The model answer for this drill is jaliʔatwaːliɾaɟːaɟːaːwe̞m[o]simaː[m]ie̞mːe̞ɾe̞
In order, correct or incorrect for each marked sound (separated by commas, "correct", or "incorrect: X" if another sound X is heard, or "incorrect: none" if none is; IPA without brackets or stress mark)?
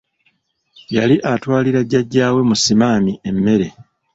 incorrect: u, correct